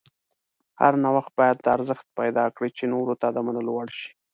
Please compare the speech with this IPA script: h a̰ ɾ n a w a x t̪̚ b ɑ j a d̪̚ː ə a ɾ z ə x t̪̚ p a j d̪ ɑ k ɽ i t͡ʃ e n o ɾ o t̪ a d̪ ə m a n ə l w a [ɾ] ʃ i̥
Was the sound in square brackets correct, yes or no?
no